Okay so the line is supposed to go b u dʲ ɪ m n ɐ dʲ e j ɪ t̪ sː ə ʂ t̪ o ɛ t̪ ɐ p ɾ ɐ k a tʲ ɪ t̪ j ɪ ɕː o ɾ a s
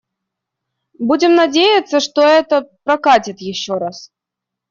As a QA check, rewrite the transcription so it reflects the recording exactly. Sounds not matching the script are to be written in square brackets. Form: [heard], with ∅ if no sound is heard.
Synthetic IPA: b u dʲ ɪ m n ɐ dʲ e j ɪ t̪ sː ə ʂ t̪ o ɛ t̪ [ə] p ɾ ɐ k a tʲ ɪ t̪ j ɪ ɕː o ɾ a s